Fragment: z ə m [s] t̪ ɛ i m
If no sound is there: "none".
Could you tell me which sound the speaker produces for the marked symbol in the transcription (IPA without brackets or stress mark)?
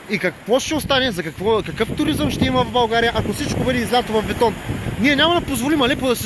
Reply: ʃ